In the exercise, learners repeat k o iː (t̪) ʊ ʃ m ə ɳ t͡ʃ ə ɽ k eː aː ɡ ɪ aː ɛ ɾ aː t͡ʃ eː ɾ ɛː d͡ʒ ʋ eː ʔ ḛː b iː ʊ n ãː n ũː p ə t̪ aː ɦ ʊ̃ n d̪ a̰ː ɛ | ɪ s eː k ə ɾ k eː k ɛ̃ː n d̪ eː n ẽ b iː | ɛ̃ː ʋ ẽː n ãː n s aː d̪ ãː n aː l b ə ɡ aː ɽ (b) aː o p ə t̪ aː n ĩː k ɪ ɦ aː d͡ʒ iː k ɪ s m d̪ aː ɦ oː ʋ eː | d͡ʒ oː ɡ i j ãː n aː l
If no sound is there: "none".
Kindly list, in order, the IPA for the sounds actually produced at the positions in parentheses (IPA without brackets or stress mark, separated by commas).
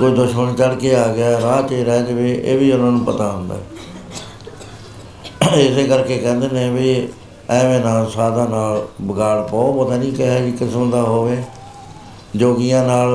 d̪, p